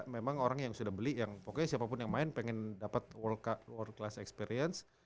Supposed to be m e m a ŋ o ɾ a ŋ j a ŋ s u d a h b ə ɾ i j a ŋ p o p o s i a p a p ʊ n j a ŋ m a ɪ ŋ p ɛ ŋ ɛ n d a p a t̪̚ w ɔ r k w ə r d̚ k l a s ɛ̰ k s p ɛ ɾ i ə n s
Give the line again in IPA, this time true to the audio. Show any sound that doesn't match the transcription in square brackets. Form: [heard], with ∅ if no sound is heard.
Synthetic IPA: m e m a ŋ o ɾ a ŋ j a ŋ s u d a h b ə [l] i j a ŋ p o [k] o s i a p a p ʊ n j a ŋ m a ɪ [n] p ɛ ŋ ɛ n d a p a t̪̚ w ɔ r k w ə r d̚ k l a s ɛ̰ k s p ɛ ɾ i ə n s